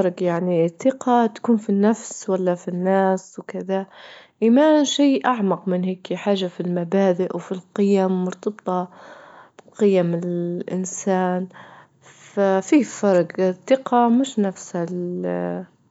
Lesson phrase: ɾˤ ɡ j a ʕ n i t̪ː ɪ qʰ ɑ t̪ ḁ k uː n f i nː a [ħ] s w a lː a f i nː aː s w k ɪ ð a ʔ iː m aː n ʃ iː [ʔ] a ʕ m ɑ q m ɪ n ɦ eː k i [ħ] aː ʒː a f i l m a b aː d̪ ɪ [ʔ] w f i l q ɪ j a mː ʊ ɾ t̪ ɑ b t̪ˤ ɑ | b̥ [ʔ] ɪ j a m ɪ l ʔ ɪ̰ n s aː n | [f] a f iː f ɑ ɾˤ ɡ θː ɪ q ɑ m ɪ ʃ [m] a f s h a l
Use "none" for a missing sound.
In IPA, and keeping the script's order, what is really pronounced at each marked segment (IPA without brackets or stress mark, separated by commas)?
f, ʔ, ħ, ʔ, q, f, n